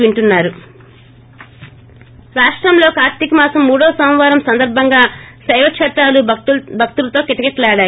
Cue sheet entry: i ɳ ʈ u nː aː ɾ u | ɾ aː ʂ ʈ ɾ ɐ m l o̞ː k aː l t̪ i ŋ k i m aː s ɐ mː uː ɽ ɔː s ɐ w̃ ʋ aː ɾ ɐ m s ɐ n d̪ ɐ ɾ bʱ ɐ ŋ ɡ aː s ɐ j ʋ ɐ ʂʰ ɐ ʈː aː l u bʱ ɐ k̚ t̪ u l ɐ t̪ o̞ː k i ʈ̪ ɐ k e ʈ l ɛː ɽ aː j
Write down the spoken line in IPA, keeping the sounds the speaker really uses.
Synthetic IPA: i ɳ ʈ u nː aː ɾ u | ɾ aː ʂ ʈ ɾ ɐ m l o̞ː k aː ɾ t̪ i k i m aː s ɐ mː uː ɽ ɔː s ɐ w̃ ʋ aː ɾ ɐ m s ɐ n d̪ ɐ ɾ bʱ ɐ ŋ ɡ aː s ɐ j ʋ ɐ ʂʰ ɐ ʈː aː l u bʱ ɐ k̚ t̪ u l ɐ t̪ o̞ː k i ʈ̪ ɐ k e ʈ l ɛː ɽ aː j

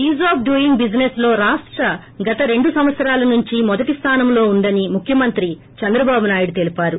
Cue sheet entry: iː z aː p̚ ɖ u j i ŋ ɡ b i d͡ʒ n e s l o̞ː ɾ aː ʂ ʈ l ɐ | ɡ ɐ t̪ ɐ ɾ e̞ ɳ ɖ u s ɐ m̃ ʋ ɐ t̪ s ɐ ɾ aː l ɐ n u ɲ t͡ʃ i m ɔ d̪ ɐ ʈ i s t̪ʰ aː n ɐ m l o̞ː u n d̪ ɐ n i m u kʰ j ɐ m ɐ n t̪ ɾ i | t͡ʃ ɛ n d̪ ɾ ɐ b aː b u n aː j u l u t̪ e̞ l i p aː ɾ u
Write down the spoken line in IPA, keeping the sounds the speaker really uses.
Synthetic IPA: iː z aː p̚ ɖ u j i ŋ ɡ b i d͡ʒ n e s l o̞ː ɾ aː ʂ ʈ ɾ ɐ | ɡ ɐ t̪ ɐ ɾ e̞ ɳ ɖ u s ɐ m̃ ʋ ɐ t̪ s ɐ ɾ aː l ɐ n u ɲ t͡ʃ i m ɔ d̪ ɐ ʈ i s t̪ʰ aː n ɐ m l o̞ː u n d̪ ɐ n i m u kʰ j ɐ m ɐ n t̪ ɾ i | t͡ʃ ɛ n d̪ ɾ ɐ b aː b u n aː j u ɽ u t̪ e̞ l i p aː ɾ u

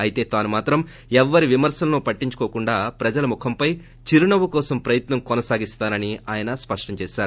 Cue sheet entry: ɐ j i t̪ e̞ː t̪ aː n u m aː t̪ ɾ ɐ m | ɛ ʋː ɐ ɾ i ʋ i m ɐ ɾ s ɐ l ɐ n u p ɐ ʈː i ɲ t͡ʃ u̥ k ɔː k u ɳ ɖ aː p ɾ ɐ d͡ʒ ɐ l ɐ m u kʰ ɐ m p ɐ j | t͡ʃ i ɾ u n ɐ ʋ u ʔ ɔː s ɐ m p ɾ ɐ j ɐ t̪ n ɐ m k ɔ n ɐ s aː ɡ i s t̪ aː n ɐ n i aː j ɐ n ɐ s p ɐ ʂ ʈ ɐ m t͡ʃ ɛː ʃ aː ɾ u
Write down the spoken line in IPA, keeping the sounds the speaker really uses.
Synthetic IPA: ɐ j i t̪ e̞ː t̪ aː n u m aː t̪ ɾ ɐ m | ɛ ʋː ɐ ɾ i ʋ i m ɐ ɾ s ɐ l ɐ n u p ɐ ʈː i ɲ t͡ʃ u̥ k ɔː k u ɳ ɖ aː p ɾ ɐ d͡ʒ ɐ l ɐ m u kʰ ɐ m p ɐ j | t͡ʃ i ɾ u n ɐ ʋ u k ɔː s ɐ m p ɾ ɐ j ɐ t̪ n ɐ m k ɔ n ɐ s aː ɡ i s t̪ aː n ɐ n i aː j ɐ n ɐ s p ɐ ʂ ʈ ɐ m t͡ʃ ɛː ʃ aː ɾ u

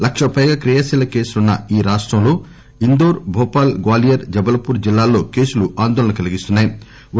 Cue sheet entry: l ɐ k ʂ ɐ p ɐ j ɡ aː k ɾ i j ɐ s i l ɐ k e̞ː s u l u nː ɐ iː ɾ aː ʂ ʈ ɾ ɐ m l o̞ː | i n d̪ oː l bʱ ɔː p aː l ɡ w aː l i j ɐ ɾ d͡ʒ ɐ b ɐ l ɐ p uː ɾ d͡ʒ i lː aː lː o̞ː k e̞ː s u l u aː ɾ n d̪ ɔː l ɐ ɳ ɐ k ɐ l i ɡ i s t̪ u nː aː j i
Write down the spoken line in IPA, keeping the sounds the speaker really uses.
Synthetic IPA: l ɐ k ʂ ɐ p ɐ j ɡ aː k ɾ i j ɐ s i l ɐ k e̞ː s u l u nː ɐ iː ɾ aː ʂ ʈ ɾ ɐ m l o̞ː | i n d̪ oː ɾ bʱ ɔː p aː l ɡ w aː l i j ɐ ɾ d͡ʒ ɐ b ɐ l ɐ p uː ɾ d͡ʒ i lː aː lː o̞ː k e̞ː s u l u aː n d̪ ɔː l ɐ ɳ ɐ k ɐ l i ɡ i s t̪ u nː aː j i

